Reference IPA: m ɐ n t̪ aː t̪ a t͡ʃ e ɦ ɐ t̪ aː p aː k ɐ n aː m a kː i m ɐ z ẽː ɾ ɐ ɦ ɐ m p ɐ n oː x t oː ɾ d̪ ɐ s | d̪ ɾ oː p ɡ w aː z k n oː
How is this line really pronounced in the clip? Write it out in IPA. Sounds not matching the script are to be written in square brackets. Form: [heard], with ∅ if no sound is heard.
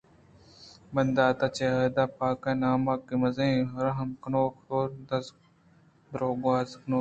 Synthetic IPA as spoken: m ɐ n [d̪] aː t̪ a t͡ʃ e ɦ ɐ [d̪] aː p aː k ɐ n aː m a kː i m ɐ z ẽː ɾ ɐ ɦ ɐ m [k] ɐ n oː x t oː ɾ d̪ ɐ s | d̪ ɾ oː [∅] ɡ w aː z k n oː